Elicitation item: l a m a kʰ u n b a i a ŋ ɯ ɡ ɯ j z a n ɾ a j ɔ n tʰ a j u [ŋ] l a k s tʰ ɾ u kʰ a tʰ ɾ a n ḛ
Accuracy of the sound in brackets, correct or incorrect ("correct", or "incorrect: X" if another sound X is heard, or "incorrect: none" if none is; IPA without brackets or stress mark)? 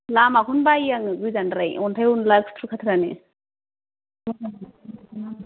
incorrect: n